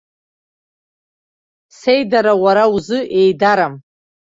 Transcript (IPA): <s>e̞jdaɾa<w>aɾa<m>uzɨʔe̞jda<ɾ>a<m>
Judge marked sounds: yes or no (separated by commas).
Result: yes, yes, no, yes, yes